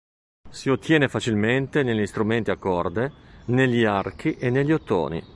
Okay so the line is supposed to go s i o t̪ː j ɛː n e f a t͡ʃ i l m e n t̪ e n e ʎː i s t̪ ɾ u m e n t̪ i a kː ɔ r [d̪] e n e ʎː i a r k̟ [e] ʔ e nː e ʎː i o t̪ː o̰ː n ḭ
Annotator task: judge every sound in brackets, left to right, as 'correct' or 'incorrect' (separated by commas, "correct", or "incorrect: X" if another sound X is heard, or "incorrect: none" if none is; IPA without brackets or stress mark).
correct, incorrect: i